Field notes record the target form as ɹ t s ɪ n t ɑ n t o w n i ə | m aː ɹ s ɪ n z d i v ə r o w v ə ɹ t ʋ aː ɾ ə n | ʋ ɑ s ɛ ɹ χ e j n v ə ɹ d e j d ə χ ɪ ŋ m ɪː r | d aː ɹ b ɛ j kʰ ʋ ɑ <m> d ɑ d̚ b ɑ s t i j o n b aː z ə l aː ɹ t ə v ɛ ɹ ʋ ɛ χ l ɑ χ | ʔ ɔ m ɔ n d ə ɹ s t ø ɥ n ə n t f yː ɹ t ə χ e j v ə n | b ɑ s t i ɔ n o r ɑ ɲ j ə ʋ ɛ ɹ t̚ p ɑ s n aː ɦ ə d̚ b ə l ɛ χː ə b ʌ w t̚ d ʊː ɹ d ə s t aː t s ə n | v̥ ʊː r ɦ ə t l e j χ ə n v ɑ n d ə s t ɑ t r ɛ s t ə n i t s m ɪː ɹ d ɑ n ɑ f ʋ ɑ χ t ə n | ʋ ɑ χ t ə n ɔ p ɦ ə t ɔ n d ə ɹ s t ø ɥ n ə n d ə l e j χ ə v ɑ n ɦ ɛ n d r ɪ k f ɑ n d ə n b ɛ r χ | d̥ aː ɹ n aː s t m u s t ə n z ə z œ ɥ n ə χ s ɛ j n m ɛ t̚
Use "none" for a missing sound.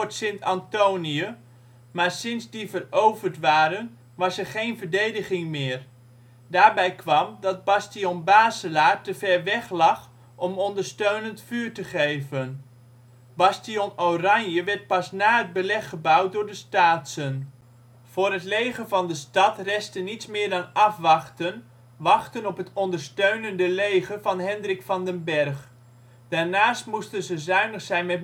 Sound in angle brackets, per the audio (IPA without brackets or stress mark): m